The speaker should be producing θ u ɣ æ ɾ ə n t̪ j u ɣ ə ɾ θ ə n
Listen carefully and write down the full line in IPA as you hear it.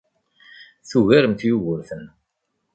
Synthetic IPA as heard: θ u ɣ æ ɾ ə m t̪ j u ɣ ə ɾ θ ə n